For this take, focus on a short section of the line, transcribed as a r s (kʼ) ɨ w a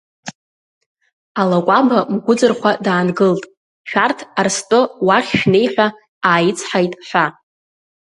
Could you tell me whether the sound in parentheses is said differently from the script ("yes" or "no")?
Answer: yes